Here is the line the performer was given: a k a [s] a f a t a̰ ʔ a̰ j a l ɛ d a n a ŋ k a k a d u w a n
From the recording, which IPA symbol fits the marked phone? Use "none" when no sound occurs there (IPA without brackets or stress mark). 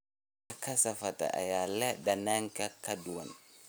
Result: s